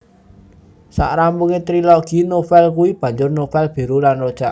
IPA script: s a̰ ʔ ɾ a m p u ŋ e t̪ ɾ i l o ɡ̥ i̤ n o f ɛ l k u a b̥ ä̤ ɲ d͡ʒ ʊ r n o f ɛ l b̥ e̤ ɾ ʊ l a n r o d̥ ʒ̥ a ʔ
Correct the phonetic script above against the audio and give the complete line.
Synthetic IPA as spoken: s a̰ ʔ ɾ a m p u ŋ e t̪ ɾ i l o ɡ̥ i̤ n o f ɛ l k u i b̥ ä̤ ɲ d͡ʒ ʊ r n o f ɛ l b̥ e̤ ɾ u l a n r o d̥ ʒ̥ a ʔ